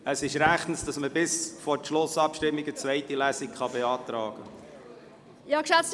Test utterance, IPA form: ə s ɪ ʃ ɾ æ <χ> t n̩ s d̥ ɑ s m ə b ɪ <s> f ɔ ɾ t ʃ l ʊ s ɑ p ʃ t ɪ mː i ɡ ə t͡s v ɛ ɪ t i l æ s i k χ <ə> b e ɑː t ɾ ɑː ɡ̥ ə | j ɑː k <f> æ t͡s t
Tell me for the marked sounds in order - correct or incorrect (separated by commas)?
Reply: correct, correct, incorrect, incorrect